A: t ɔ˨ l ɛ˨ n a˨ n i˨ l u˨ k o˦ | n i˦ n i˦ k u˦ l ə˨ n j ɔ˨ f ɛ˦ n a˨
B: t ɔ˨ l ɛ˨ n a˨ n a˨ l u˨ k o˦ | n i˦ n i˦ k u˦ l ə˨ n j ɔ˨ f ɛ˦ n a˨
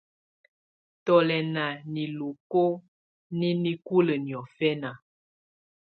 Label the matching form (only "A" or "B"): A